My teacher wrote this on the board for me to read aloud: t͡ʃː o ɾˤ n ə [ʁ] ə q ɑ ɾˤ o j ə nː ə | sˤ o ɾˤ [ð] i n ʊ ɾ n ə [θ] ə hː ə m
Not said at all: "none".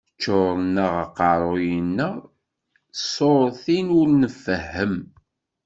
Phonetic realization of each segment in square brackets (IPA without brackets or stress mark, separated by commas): ʁ, θ, f